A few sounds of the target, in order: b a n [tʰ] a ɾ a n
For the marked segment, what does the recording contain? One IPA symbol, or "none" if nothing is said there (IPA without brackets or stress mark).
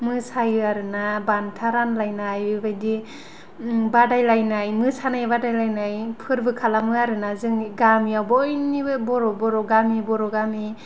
tʰ